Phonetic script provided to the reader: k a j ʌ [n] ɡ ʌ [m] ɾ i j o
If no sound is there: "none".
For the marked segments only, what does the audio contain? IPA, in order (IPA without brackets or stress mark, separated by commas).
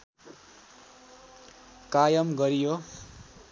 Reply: m, none